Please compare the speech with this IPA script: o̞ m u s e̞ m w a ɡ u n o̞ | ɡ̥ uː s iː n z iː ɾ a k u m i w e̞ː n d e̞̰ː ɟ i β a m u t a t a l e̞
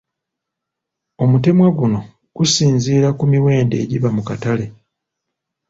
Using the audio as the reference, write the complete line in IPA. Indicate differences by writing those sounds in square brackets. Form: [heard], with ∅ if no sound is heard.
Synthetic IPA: o̞ m u [t] e̞ m w a ɡ u n o̞ | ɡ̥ [u] s iː n z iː ɾ a k u m i w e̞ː n d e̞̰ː ɟ i β a m u [k] a t a l e̞